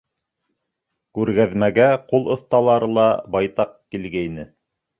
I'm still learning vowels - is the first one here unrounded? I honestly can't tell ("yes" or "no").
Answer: no